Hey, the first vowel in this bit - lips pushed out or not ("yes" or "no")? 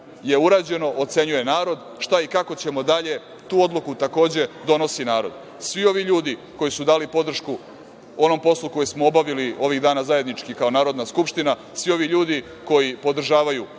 no